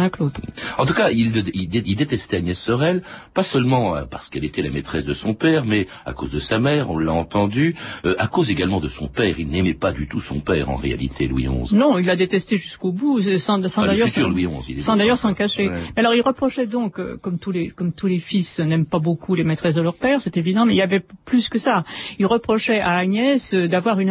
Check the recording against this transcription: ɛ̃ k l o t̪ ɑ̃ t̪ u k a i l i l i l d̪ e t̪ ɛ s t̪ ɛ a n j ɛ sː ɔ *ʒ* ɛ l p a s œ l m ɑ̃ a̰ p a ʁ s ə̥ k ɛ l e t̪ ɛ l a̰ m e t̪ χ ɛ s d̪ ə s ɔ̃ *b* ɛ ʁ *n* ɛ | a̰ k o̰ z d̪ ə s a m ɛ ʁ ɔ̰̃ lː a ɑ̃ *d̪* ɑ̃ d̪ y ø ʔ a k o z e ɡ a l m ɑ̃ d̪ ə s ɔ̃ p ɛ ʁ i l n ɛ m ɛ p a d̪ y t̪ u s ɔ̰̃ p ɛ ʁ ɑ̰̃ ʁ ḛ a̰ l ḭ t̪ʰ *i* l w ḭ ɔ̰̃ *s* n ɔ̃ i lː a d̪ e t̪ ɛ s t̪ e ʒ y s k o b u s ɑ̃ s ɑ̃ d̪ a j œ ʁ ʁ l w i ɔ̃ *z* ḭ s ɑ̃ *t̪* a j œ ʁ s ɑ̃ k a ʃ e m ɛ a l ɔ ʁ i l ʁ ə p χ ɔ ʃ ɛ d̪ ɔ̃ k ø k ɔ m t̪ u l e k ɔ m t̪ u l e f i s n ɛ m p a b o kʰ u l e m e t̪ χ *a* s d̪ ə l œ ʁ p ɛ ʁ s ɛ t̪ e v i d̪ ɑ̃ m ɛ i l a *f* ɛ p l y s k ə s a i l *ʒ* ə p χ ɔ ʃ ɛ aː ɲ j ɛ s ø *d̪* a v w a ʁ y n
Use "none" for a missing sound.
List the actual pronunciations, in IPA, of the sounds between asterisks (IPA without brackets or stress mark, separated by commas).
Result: ʁ, p, m, t̪, e, z, z, d̪, ɛ, v, ʁ, d̪